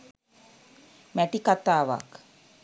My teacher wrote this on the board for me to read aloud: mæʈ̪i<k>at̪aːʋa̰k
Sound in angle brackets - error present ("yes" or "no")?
no